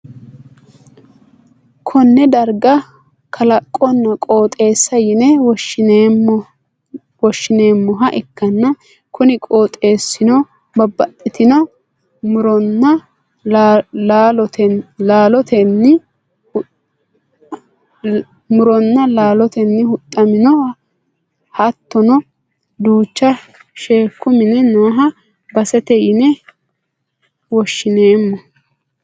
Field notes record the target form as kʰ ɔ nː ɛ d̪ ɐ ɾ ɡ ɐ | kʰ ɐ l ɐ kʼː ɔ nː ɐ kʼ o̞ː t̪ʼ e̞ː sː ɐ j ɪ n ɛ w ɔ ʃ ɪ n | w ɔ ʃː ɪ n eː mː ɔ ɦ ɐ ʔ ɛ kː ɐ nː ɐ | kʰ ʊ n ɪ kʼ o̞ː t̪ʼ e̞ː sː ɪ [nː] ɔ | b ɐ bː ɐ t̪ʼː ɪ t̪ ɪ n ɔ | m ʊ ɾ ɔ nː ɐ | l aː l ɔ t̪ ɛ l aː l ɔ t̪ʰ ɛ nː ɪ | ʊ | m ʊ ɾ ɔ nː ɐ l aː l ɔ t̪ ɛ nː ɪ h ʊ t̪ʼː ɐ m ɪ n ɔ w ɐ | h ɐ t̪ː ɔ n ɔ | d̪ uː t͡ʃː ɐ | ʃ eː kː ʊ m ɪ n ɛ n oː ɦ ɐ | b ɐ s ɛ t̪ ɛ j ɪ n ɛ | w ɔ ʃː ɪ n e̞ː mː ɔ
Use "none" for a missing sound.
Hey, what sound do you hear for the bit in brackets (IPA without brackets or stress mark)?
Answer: n